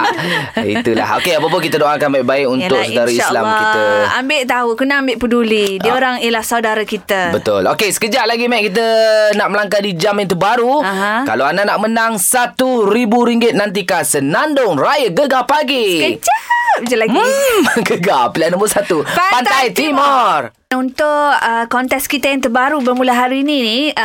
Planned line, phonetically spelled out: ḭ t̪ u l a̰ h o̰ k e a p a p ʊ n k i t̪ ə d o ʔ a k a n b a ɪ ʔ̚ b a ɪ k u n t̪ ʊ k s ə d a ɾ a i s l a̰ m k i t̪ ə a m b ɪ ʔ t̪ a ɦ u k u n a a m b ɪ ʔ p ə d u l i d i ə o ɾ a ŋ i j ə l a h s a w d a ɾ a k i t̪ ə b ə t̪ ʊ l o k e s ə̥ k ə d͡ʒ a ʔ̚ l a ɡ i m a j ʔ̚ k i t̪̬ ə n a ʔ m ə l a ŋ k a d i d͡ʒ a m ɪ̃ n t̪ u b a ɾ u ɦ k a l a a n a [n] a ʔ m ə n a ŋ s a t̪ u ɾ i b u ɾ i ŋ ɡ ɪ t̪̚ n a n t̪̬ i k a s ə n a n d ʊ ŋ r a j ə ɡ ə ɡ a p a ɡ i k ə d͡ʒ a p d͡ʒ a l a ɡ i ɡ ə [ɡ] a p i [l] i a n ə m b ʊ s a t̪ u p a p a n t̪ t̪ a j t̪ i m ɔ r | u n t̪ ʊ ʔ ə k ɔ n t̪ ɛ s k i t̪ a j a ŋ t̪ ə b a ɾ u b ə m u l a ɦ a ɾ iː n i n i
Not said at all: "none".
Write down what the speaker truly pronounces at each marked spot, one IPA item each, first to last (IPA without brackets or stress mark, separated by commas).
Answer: n, ɡ, l